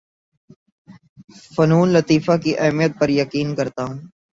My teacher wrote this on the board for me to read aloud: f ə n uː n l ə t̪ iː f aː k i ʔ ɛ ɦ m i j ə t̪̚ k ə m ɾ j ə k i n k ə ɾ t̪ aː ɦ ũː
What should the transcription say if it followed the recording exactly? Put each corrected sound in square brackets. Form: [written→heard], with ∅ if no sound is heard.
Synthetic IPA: f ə n uː n l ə t̪ iː f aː k i ʔ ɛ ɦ m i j ə t̪̚ [k→p] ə [m→∅] ɾ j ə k [i→iː] n k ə ɾ t̪ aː ɦ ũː